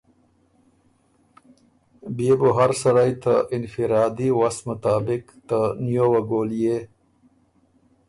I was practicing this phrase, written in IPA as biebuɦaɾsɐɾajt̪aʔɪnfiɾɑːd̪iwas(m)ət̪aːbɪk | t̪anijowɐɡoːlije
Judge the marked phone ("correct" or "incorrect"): correct